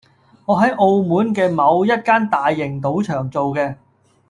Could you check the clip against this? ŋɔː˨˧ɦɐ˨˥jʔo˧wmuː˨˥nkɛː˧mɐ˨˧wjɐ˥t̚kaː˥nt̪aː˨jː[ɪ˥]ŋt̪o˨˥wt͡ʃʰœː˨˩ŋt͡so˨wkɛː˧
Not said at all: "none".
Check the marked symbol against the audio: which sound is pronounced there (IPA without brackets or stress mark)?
ɪ˨˩